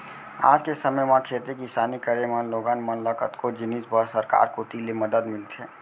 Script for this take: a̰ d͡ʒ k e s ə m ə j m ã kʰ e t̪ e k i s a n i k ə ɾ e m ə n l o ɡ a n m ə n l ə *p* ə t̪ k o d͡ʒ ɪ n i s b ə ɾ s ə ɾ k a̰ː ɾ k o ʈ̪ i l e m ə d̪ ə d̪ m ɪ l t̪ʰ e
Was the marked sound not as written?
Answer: yes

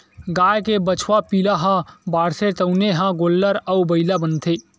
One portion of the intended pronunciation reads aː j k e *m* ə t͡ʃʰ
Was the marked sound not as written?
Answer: yes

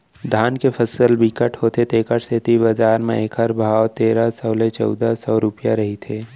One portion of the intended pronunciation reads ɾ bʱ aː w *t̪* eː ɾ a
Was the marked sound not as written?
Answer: no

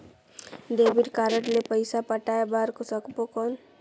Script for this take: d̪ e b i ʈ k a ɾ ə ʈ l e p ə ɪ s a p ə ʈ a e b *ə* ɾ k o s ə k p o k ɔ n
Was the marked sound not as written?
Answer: yes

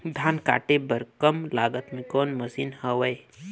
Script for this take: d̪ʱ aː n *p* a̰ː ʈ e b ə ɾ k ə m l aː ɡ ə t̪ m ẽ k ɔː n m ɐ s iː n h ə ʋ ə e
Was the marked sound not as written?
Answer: yes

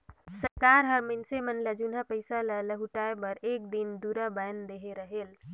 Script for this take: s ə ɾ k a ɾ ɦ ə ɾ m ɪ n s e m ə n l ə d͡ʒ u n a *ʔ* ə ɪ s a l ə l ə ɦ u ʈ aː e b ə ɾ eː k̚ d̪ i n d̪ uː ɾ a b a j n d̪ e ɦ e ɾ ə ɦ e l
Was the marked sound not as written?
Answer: yes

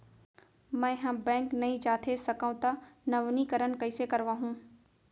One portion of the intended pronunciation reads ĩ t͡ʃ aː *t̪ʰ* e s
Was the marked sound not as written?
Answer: no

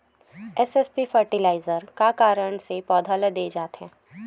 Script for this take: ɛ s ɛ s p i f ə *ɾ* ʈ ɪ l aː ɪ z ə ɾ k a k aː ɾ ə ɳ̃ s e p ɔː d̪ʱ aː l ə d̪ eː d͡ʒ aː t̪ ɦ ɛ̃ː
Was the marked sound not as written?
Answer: no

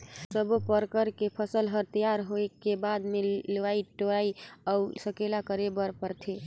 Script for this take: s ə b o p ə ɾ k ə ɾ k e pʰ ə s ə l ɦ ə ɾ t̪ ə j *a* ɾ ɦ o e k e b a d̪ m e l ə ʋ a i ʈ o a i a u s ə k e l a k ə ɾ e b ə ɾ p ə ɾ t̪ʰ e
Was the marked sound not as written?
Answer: no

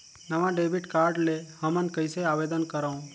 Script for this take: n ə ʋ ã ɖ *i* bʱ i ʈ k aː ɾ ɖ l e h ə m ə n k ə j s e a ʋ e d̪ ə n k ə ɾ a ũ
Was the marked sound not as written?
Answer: yes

